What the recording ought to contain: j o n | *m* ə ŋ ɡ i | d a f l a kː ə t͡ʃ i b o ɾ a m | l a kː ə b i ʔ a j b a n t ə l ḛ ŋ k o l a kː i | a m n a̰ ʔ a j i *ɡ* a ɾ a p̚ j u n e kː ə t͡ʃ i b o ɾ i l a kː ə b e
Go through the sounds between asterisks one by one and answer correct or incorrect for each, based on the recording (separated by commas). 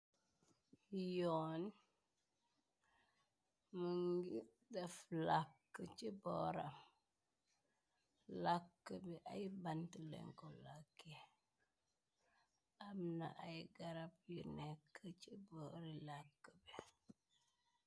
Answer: correct, correct